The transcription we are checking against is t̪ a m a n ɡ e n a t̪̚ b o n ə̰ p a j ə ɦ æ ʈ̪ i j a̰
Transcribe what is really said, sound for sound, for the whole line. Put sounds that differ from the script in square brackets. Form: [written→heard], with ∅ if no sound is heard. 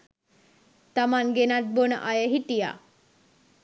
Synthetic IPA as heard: t̪ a m a n ɡ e n a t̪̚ b o n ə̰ [p→ʔ] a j ə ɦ [æ→i] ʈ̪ i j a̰